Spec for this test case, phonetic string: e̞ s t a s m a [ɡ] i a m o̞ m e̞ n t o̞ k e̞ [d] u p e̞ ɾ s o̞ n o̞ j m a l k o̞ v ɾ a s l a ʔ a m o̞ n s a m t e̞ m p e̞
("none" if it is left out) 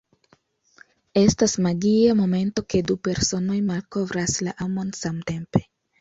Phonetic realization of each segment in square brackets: ɡ, d

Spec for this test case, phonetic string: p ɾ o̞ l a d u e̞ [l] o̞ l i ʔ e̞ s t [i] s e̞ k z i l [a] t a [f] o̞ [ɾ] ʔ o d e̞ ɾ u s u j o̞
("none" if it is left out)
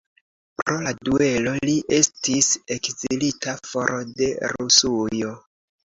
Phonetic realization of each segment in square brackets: l, i, i, f, ɾ

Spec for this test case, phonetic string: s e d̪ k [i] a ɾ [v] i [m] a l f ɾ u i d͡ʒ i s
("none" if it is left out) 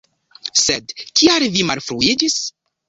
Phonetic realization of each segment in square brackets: i, v, m

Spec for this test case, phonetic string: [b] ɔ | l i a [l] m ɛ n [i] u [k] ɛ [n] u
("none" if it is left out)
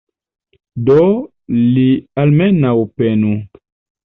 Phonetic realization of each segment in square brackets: d, l, a, p, n

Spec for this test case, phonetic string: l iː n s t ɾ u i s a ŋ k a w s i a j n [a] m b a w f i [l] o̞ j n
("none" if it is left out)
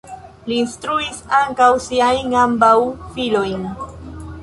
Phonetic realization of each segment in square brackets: a, l

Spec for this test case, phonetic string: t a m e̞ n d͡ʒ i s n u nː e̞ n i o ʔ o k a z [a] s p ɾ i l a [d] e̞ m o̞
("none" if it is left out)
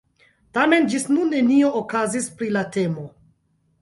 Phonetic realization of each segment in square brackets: i, t

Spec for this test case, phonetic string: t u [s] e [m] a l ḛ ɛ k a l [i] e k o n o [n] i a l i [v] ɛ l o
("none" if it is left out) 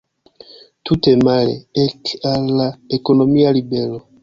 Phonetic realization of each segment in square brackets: t, m, a, m, b

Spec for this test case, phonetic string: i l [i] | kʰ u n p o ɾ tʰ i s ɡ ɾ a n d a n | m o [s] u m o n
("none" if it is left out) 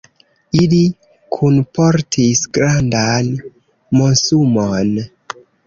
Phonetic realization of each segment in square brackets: i, s

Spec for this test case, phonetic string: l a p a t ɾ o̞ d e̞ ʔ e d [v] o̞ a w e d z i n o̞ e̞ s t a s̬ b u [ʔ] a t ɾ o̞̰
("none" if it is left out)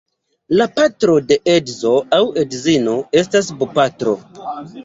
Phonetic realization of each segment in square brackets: z, p

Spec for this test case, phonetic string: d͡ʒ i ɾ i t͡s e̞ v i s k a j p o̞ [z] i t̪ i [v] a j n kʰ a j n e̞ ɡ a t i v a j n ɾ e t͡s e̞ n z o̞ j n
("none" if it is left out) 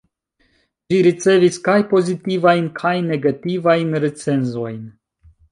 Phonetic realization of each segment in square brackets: z, v

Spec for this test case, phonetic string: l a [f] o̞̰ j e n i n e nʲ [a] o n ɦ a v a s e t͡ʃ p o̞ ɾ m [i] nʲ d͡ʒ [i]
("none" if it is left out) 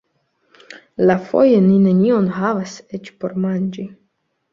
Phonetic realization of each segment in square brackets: f, i, a, i

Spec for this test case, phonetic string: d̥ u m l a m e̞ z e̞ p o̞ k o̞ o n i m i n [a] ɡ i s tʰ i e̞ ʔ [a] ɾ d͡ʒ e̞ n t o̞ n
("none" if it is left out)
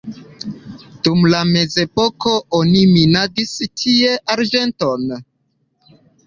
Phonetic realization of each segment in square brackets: a, a

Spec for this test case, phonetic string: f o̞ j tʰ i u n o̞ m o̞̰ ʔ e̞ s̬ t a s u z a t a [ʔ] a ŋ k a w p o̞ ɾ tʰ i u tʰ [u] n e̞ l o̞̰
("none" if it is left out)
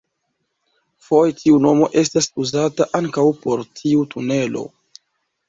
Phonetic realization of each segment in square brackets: ʔ, u

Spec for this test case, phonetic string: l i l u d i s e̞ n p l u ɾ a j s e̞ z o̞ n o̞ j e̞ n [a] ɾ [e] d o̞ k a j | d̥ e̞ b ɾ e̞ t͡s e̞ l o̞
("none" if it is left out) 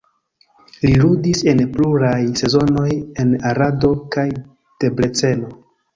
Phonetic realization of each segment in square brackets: a, a

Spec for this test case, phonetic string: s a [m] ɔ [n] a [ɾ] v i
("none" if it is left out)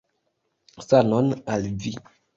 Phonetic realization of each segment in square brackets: n, n, l

